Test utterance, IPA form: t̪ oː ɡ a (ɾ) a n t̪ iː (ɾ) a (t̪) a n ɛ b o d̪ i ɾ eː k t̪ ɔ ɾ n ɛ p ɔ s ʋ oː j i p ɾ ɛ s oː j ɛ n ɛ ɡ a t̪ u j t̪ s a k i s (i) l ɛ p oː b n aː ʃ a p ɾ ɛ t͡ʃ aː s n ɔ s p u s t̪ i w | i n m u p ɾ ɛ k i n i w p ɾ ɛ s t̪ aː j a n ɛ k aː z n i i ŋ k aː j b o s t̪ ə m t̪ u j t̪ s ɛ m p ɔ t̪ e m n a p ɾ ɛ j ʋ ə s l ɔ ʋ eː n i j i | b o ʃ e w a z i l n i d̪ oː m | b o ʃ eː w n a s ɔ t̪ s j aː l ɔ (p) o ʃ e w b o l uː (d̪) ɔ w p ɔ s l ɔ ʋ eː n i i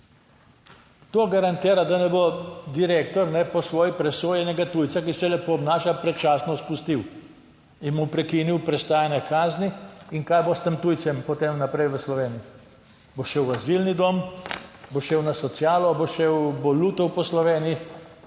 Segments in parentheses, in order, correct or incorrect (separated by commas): correct, correct, incorrect, incorrect, incorrect, incorrect